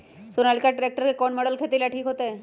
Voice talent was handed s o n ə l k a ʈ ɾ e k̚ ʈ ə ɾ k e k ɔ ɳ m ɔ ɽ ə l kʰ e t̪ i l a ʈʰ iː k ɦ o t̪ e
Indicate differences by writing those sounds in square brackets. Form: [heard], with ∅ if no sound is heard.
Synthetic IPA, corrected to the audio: s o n [a] l k a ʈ ɾ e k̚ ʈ ə ɾ k e k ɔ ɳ m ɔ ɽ ə l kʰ e t̪ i l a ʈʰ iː k ɦ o t̪ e